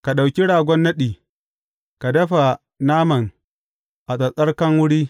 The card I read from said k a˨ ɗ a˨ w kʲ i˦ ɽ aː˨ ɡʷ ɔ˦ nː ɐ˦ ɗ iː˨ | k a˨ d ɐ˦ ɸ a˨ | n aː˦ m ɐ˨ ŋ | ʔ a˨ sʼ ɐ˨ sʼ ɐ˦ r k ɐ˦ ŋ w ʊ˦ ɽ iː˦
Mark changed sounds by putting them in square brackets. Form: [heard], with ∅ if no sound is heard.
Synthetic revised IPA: k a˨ ɗ a˨ w kʲ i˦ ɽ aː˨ ɡʷ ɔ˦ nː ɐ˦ ɗ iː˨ | k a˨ d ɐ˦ ɸ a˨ | n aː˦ m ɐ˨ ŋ | ʔ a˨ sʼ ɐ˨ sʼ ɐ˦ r k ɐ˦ ŋ w ʊ˦ ɽ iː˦